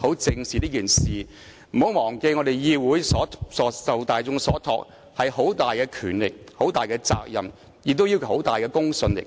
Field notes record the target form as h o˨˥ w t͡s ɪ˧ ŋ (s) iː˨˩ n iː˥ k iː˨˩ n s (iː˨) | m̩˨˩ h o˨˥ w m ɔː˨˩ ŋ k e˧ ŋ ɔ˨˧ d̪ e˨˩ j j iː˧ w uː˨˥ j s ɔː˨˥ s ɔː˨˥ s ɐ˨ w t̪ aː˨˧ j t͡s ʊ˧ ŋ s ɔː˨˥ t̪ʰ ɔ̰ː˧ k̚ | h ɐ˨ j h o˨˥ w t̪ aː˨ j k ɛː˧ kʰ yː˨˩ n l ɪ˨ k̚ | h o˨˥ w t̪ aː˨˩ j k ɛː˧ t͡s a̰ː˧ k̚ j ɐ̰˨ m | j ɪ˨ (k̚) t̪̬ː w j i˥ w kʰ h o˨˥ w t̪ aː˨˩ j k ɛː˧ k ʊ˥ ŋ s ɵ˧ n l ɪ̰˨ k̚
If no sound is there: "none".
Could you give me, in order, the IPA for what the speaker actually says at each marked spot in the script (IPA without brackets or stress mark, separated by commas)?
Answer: s, iː˨, k̚